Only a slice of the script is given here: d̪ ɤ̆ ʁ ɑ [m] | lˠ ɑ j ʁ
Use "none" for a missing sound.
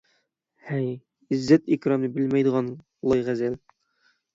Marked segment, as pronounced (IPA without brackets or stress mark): n